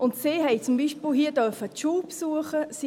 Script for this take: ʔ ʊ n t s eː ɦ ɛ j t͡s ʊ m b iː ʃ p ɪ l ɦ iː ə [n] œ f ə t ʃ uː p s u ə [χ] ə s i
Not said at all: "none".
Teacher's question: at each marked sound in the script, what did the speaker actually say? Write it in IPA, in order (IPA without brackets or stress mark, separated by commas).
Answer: d, χ